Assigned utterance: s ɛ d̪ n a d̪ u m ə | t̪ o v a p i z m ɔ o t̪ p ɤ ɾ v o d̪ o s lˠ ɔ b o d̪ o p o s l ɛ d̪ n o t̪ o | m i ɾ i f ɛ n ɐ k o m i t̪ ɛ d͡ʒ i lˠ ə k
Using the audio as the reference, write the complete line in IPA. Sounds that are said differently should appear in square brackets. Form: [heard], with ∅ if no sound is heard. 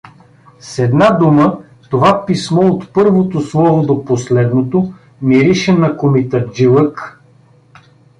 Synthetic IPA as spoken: s ɛ d̪ n a d̪ u m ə | t̪ o v a p i [s] m ɔ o t̪ p ɤ ɾ v o [t̪] o s lˠ ɔ [v] o d̪ o p o s l ɛ d̪ n o t̪ o | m i ɾ i [ʃ] ɛ n ɐ k o m i t̪ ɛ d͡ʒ i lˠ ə k